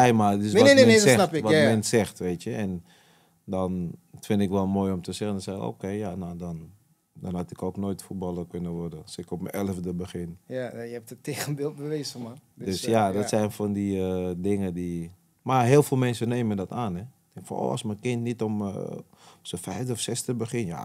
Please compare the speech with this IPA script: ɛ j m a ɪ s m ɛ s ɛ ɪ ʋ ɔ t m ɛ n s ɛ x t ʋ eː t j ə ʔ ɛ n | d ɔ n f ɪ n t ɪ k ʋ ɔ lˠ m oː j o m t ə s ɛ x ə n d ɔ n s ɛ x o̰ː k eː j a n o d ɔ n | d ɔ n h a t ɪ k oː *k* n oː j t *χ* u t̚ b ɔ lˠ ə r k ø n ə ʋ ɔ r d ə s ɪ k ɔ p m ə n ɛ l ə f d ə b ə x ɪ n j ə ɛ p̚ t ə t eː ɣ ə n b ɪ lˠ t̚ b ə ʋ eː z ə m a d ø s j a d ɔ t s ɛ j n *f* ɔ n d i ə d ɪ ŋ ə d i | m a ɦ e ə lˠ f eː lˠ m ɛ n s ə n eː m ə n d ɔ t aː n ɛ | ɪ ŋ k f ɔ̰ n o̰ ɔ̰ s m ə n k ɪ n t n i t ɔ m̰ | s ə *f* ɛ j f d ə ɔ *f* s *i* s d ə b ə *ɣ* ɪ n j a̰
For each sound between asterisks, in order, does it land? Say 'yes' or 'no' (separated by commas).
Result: yes, no, yes, yes, yes, no, no